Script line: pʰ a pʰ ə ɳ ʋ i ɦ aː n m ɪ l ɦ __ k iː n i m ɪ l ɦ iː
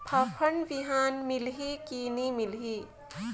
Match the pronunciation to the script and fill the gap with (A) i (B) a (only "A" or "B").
A